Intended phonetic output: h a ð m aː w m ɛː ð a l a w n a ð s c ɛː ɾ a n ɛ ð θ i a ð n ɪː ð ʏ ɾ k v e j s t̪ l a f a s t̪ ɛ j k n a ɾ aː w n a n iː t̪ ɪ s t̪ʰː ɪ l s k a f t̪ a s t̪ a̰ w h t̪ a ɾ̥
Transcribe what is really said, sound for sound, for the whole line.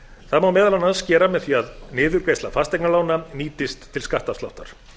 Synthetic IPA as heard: θ a ð m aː w m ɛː ð a l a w n a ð s c ɛː ɾ a m ɛ ð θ i a ð n ɪː ð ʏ ɾ k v e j s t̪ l a f a s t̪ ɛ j k n a l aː w n a n iː t̪ ɪ s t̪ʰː ɪ l s k a h t̪ a s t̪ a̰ w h t̪ a ɾ̥